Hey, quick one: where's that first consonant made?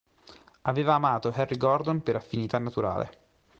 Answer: lips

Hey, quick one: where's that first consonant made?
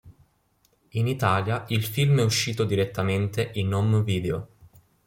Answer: tongue tip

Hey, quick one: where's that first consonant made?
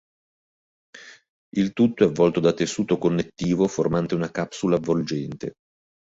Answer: tongue tip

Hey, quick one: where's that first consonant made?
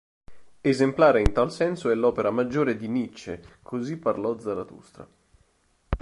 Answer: tongue tip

